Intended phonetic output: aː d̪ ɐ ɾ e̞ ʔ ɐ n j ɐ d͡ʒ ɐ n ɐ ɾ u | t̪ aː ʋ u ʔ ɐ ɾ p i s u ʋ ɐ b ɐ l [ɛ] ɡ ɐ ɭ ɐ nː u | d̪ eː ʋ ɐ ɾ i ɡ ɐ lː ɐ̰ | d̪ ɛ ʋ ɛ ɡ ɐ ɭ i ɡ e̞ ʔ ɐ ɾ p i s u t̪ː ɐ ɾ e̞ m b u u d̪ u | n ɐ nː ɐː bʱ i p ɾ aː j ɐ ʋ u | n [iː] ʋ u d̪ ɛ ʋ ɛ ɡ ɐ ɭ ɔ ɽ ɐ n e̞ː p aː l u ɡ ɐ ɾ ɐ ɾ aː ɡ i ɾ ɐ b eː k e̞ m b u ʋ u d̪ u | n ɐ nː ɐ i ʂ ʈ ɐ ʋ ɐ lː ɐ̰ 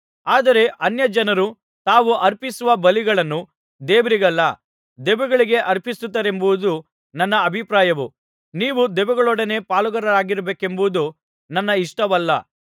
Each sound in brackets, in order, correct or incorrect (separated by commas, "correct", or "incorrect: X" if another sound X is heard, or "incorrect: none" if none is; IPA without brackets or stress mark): incorrect: i, correct